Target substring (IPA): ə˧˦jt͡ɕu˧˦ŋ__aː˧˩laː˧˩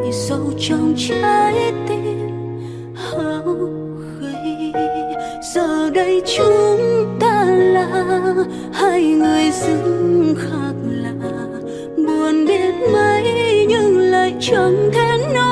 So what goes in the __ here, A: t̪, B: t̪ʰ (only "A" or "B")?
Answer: A